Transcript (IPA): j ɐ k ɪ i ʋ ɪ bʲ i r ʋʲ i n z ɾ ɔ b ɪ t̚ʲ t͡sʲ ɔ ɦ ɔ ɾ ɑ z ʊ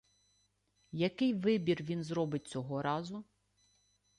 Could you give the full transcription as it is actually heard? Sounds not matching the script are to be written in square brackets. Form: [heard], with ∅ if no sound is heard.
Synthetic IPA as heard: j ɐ k ɪ [j] ʋ ɪ bʲ i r ʋʲ i n z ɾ ɔ b ɪ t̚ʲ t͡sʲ ɔ ɦ ɔ ɾ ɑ z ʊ